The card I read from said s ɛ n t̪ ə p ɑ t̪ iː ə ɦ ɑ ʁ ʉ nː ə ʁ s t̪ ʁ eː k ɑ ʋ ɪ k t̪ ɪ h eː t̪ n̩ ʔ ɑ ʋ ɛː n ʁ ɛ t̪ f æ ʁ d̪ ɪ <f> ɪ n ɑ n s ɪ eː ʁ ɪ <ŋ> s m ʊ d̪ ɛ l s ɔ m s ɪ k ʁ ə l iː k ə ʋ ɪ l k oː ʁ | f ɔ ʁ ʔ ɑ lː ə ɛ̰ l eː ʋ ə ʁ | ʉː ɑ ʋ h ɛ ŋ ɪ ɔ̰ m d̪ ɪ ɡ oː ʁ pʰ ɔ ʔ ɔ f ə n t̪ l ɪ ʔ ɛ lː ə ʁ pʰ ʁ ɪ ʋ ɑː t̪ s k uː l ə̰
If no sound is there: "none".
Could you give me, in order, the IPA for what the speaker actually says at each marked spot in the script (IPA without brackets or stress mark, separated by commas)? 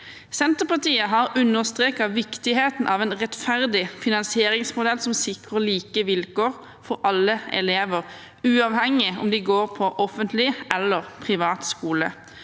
f, ŋ